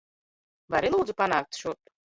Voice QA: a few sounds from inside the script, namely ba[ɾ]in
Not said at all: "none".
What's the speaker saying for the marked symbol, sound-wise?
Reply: ɾ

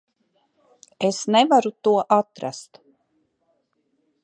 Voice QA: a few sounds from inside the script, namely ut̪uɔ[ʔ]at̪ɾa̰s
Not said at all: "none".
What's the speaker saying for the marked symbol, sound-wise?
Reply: ʔ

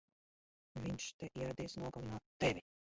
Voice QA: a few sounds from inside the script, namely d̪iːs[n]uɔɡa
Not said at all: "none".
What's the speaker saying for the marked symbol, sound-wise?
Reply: n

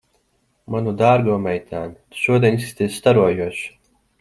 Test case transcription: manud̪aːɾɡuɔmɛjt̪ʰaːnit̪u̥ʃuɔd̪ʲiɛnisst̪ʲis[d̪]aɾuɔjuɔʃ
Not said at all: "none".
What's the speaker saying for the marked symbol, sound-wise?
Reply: t̪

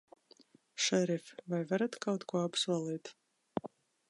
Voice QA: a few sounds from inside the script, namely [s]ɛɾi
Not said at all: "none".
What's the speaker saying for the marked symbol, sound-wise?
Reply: ʃ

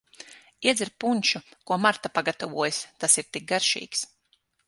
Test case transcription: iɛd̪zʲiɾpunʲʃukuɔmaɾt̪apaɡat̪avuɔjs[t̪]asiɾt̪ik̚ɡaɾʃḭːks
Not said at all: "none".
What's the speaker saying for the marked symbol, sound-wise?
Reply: t̪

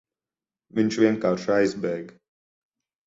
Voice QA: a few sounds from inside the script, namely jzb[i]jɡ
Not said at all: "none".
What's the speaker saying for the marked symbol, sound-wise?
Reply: ɛ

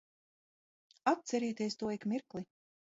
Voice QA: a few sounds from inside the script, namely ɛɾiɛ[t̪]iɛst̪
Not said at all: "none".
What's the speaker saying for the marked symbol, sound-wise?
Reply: t̪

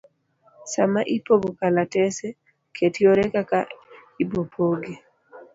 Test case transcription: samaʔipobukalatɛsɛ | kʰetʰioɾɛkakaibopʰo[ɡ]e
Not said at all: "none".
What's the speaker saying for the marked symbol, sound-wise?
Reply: ɡ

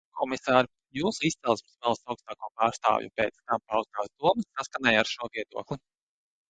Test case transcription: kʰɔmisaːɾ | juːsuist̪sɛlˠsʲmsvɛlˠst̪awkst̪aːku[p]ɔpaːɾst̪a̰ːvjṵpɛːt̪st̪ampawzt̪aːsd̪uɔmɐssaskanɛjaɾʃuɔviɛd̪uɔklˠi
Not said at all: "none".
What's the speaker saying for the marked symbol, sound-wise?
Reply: none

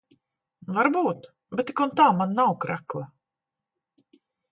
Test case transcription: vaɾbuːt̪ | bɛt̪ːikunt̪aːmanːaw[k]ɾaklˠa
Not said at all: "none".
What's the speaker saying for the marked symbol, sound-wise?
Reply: k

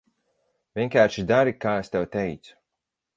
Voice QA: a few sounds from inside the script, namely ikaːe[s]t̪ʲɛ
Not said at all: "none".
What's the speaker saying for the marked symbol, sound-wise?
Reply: s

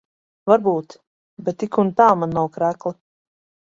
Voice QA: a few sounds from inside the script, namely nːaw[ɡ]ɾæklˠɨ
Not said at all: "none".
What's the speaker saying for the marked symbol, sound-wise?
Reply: k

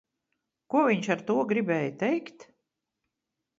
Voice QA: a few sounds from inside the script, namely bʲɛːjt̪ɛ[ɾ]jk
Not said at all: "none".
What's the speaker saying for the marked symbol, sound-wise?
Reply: none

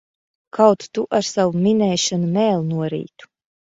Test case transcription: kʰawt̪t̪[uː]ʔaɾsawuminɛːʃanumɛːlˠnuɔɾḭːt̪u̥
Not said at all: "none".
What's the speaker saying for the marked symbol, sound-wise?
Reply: u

